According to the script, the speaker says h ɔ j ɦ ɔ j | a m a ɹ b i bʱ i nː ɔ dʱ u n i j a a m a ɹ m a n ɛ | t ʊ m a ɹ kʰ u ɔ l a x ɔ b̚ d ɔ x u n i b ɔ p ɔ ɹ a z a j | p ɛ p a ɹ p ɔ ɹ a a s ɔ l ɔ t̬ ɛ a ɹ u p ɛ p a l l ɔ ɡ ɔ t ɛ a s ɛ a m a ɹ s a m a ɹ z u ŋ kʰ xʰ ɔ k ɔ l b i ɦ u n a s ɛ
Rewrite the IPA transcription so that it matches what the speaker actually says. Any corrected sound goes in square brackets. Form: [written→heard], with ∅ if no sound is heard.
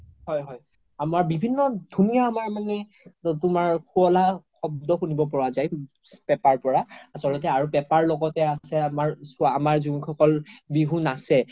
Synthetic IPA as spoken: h ɔ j ɦ ɔ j | a m a ɹ b i bʱ i nː ɔ dʱ u n i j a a m a ɹ m a n ɛ | t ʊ m a ɹ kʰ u ɔ l a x ɔ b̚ d ɔ x u n i b ɔ p ɔ ɹ a z a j | p ɛ p a ɹ p ɔ ɹ a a s ɔ l ɔ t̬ ɛ a ɹ u p ɛ p a [l→ɹ] l ɔ ɡ ɔ t ɛ a s ɛ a m a ɹ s a m a ɹ z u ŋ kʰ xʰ ɔ k ɔ l b i ɦ u n a s ɛ